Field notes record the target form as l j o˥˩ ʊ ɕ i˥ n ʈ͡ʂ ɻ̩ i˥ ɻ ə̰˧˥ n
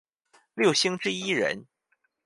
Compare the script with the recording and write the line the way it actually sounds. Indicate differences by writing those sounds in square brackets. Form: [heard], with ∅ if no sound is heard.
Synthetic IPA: l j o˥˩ ʊ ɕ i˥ [ŋ] ʈ͡ʂ ɻ̩ i˥ ɻ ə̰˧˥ n